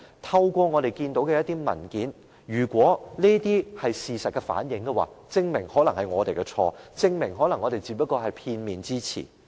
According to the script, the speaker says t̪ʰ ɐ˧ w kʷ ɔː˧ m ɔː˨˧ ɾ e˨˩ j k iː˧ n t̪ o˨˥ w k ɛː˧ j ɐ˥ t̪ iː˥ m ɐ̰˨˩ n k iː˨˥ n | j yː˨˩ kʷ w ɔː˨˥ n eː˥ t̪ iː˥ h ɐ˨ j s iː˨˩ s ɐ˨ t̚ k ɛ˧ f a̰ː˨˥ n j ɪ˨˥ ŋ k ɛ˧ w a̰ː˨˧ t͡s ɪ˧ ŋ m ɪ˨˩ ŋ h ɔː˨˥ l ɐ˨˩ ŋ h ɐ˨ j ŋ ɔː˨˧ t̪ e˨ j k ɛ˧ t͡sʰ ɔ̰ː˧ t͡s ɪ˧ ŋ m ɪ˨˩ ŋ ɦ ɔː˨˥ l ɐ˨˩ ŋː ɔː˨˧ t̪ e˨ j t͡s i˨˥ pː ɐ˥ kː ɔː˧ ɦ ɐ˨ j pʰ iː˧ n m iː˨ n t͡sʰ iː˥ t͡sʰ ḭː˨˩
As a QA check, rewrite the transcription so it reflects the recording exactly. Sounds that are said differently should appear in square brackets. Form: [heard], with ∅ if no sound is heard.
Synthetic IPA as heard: t̪ʰ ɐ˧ w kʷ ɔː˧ [ŋ] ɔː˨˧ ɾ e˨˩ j k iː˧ n t̪ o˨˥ w k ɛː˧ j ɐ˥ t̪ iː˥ m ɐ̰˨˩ n k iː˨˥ n | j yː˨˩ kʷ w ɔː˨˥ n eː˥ t̪ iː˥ h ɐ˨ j s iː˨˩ s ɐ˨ t̚ k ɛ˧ f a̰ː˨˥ n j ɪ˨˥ ŋ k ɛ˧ w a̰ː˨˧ t͡s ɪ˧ ŋ m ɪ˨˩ ŋ h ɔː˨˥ l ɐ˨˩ ŋ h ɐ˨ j ŋ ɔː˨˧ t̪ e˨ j k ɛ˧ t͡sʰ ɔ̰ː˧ t͡s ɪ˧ ŋ m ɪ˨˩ ŋ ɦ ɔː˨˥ l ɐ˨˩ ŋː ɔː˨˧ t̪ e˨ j t͡s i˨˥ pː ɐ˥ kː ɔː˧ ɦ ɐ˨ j pʰ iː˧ n m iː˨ n [t͡s] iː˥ t͡sʰ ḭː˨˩